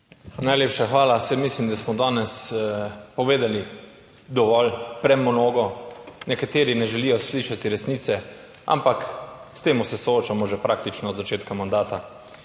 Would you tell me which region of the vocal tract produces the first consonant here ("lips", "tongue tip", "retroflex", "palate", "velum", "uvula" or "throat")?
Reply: tongue tip